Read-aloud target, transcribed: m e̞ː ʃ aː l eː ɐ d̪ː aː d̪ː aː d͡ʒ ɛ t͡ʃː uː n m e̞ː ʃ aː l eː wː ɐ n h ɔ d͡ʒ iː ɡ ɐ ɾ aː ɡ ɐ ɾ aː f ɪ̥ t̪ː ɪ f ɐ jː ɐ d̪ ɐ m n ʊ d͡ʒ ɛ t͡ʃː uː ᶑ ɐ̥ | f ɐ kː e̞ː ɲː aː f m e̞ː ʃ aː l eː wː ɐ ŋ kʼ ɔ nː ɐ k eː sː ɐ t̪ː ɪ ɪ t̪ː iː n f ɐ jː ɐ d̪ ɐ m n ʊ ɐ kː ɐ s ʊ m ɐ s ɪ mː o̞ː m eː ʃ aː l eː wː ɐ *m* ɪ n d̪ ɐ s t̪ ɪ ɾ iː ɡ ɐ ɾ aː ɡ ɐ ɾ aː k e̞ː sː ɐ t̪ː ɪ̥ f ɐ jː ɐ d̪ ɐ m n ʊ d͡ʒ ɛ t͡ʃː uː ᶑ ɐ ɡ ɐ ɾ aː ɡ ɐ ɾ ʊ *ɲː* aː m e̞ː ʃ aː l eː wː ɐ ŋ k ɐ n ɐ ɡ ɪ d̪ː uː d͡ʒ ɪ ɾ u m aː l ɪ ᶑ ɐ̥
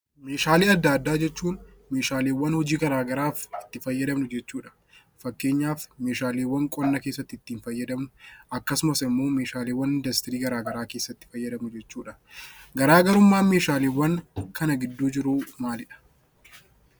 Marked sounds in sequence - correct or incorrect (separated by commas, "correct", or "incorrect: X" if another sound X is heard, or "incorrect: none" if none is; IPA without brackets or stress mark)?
incorrect: n, incorrect: mː